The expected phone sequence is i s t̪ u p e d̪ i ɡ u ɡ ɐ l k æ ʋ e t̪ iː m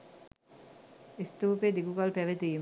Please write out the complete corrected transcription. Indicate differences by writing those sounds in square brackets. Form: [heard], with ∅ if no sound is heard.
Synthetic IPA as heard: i s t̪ [uː] p e d̪ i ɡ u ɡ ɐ l [p] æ ʋ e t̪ iː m